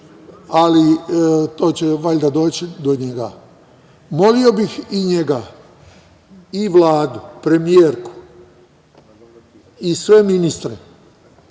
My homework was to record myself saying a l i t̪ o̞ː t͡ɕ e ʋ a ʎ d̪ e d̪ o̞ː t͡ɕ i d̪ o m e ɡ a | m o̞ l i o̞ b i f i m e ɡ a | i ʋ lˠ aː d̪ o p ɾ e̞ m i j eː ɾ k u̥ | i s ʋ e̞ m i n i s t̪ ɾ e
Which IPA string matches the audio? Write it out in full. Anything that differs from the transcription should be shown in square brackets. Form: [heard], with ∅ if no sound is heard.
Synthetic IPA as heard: a l i t̪ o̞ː t͡ɕ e ʋ a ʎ d̪ [a] d̪ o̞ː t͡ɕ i d̪ o [ɲ] e ɡ a | m o̞ l i o̞ b i [x] i [ɲ] e ɡ a | i ʋ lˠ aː d̪ [u] p ɾ e̞ m i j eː ɾ k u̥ | i s ʋ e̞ m i n i s t̪ ɾ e